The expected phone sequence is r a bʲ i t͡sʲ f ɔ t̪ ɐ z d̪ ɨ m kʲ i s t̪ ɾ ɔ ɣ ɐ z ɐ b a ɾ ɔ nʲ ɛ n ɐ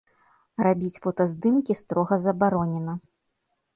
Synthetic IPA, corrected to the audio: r a bʲ i t͡sʲ f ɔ t̪ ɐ z d̪ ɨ m kʲ i s t̪ ɾ ɔ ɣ ɐ z ɐ b a ɾ ɔ nʲ ɛ n ɐ